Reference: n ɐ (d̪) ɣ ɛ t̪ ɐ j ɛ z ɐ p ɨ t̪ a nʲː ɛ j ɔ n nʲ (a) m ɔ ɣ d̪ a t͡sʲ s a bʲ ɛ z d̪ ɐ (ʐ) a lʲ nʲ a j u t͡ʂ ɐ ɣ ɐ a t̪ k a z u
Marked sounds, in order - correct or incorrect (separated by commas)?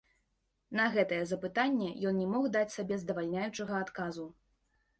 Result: incorrect, incorrect, incorrect